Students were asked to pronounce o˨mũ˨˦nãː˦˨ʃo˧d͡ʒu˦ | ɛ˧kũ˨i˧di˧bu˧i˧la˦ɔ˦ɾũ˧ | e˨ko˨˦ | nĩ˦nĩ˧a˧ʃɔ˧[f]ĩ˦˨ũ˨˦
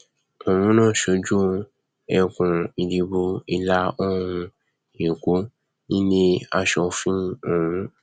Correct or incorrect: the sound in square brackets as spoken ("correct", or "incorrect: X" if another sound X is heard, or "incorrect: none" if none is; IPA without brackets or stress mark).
correct